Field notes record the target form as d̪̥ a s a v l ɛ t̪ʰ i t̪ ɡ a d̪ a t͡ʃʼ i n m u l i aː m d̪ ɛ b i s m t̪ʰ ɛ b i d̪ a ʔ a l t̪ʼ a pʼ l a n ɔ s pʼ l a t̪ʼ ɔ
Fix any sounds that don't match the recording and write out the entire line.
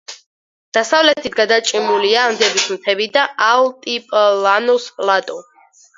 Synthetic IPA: d̪̥ a s a v l ɛ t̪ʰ i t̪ ɡ a d̪ a t͡ʃʼ i m u l i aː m d̪ ɛ b i s m t̪ʰ ɛ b i d̪ a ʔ a l t̪ʼ i pʼ l a n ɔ s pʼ l a t̪ʼ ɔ